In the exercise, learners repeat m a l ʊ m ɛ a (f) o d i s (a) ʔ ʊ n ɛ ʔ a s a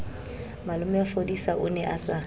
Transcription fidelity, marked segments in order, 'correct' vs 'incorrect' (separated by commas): correct, correct